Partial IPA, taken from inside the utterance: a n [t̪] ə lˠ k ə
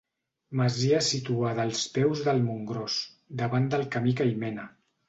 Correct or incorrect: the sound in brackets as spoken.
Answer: incorrect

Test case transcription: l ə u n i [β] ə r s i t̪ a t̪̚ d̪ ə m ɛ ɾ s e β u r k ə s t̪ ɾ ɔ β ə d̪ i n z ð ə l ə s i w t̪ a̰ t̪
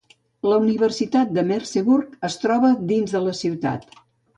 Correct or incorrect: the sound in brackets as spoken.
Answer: correct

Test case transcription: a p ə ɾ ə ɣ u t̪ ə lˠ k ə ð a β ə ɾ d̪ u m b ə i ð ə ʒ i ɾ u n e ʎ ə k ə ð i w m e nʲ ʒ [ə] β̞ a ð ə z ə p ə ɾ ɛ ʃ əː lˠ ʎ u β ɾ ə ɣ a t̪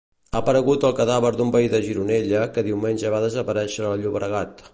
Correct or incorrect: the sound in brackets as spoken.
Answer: correct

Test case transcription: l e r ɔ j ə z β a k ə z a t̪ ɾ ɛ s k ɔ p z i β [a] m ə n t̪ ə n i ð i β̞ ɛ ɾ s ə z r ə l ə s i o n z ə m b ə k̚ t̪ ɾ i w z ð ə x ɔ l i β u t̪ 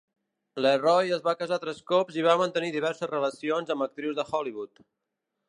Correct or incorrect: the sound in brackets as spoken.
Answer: correct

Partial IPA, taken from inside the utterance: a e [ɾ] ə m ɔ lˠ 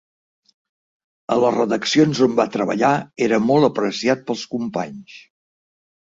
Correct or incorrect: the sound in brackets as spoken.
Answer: correct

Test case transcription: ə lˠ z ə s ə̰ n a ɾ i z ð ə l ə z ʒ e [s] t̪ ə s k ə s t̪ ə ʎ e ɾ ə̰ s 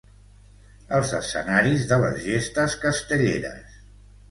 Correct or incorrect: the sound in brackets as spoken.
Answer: correct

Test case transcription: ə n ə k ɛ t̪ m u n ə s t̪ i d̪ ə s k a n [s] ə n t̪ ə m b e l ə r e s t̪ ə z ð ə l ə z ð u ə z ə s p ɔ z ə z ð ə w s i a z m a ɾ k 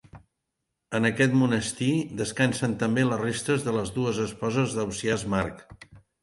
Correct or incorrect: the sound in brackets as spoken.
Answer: correct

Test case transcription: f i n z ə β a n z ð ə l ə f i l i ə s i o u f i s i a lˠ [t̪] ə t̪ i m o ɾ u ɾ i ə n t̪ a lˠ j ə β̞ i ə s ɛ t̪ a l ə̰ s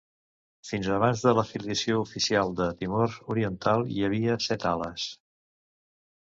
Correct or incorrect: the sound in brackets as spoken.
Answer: incorrect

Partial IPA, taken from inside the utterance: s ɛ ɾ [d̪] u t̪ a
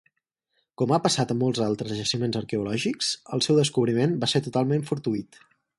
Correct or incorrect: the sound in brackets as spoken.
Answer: incorrect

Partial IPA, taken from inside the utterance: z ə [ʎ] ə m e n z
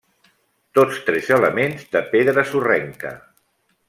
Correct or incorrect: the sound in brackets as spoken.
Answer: incorrect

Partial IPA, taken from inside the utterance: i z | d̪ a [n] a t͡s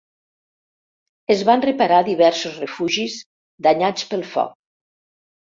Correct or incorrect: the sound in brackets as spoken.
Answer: incorrect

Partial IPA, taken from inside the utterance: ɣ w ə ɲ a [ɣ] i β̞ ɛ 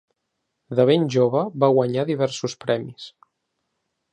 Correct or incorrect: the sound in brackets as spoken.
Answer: incorrect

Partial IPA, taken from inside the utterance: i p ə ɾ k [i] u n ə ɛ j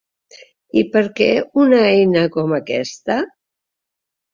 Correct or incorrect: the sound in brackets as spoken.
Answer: incorrect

